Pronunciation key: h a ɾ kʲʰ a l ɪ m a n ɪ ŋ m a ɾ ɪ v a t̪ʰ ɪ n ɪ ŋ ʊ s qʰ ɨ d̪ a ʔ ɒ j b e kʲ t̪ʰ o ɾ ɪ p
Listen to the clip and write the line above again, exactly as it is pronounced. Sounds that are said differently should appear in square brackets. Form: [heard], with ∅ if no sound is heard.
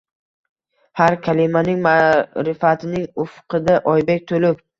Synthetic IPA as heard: h a ɾ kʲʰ a l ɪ m a n ɪ ŋ m a ɾ ɪ [f] a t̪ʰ ɪ n ɪ ŋ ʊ [f] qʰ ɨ d̪ a ʔ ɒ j b e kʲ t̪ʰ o [l] ɪ p